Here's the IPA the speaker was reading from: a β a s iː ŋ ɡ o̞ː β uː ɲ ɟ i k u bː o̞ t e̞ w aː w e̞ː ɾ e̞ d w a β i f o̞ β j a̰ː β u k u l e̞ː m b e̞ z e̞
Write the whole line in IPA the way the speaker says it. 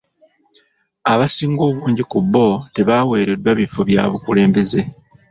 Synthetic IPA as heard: a β a s iː ŋ ɡ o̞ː β uː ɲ ɟ i k u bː o̞ t e̞ β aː w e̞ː ɾ e̞ d w a β i f o̞ β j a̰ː β u k u l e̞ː m b e̞ z e̞